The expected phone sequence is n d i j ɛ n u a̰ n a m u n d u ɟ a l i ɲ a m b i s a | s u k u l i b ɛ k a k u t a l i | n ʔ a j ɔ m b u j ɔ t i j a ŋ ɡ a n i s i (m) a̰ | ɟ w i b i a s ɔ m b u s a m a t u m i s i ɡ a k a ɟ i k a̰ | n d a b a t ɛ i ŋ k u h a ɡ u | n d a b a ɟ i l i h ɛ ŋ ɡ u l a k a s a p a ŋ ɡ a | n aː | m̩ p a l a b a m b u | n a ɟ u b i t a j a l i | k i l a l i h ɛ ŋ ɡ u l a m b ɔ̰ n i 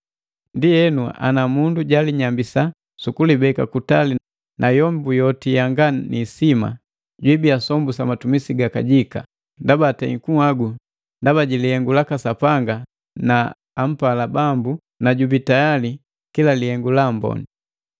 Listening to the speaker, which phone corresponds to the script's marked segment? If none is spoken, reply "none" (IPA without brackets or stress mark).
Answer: m